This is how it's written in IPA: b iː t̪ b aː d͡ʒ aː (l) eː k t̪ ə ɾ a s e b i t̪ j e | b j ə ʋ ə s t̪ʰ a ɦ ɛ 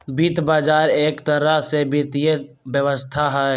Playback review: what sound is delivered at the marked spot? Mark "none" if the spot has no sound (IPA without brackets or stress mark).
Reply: ɾ